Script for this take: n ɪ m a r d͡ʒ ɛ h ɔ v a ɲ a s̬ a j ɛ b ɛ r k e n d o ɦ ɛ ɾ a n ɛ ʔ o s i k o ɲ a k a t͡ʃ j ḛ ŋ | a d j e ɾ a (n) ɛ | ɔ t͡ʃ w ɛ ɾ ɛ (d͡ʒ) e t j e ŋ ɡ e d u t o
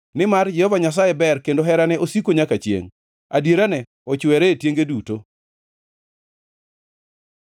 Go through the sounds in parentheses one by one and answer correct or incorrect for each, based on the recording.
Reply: correct, incorrect: none

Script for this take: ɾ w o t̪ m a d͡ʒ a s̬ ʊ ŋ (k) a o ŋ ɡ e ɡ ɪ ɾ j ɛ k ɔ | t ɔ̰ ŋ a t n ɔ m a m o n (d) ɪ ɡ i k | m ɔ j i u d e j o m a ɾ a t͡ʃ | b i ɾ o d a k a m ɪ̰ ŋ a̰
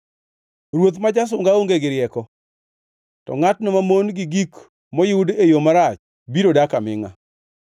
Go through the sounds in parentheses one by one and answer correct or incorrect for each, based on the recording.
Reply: incorrect: ɡ, incorrect: ɡ

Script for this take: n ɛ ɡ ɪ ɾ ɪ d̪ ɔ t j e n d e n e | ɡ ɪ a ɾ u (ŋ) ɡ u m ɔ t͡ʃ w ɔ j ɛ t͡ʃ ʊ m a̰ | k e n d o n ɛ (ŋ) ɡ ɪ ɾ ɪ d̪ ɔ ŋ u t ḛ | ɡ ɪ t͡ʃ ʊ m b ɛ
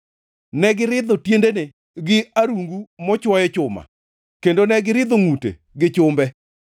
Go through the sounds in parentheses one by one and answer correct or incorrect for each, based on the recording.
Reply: correct, incorrect: none

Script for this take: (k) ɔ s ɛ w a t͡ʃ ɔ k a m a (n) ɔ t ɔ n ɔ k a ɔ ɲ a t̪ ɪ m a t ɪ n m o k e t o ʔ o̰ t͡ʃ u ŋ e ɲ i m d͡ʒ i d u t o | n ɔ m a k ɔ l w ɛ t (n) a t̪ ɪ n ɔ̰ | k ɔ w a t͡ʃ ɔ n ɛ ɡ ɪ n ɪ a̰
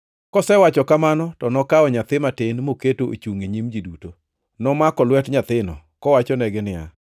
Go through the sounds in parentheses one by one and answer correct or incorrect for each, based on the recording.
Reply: correct, correct, incorrect: ɲ

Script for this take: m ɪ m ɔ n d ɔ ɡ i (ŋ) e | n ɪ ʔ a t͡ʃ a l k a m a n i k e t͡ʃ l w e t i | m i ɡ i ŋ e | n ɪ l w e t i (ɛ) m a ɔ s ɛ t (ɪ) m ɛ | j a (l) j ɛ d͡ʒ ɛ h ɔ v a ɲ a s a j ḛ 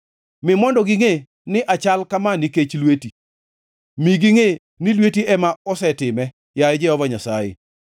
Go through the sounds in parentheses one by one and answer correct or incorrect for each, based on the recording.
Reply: correct, correct, correct, incorrect: none

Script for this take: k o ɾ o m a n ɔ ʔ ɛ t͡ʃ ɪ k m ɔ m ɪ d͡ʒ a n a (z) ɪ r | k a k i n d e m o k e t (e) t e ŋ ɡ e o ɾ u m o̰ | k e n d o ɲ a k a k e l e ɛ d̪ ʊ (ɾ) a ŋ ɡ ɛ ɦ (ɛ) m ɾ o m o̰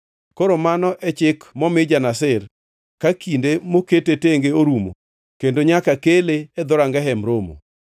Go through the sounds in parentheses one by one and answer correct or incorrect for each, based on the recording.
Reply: incorrect: s, correct, correct, correct

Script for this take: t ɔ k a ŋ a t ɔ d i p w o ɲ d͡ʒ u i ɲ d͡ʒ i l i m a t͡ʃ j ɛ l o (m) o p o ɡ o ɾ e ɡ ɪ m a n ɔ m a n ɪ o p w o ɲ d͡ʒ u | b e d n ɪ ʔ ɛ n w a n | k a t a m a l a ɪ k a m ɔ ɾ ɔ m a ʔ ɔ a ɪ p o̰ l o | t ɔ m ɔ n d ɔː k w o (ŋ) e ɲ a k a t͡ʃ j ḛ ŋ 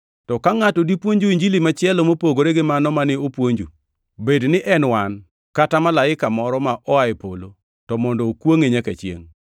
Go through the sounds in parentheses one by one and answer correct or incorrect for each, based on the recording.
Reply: correct, correct

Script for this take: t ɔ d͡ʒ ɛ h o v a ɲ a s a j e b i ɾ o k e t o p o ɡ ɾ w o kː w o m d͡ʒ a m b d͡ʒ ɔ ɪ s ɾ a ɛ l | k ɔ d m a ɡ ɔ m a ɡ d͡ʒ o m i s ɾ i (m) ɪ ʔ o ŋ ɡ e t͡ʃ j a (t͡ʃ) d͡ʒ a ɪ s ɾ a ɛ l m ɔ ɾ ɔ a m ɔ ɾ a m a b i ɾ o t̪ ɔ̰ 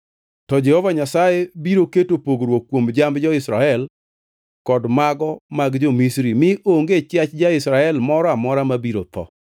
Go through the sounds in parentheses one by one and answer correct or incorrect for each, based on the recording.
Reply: correct, correct

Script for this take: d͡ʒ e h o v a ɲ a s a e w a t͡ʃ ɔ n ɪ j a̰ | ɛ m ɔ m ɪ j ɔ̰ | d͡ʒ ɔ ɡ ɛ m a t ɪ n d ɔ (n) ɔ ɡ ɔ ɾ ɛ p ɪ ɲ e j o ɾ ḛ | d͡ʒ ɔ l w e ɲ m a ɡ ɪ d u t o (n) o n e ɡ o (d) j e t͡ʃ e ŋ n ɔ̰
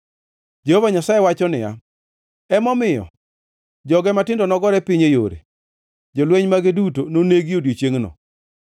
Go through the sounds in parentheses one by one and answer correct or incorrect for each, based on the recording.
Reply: correct, correct, correct

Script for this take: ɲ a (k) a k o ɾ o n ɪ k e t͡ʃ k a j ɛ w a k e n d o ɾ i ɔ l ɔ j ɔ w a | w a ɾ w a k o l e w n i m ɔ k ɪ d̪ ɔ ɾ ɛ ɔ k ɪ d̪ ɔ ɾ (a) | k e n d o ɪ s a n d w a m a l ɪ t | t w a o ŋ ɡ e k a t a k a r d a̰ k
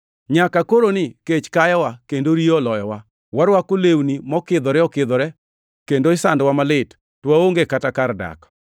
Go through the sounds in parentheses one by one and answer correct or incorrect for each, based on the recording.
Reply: correct, incorrect: ɛ

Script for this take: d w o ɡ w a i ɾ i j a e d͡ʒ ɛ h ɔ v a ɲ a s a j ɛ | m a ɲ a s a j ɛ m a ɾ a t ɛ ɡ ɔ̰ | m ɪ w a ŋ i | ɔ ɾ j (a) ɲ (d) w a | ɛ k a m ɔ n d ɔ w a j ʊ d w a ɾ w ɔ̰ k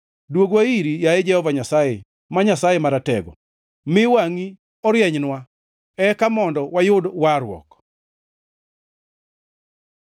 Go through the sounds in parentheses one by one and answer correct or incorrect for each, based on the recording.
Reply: incorrect: ɛ, incorrect: n

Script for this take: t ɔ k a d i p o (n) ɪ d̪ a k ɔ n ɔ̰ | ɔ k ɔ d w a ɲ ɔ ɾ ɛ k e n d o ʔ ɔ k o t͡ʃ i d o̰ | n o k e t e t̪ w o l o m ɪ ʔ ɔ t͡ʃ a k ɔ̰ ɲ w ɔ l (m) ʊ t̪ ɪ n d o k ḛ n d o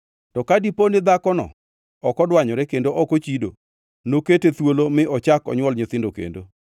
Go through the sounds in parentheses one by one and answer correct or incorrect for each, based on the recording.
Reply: correct, incorrect: ɲ

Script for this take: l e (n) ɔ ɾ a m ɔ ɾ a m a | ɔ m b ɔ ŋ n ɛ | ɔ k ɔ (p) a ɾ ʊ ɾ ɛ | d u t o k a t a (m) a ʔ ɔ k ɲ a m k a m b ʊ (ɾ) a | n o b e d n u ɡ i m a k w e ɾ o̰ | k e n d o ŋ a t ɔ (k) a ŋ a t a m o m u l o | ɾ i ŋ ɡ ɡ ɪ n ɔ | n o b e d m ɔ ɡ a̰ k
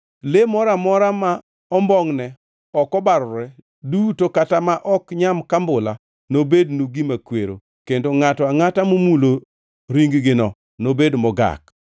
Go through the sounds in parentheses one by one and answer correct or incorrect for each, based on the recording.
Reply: incorrect: m, incorrect: b, correct, incorrect: l, incorrect: none

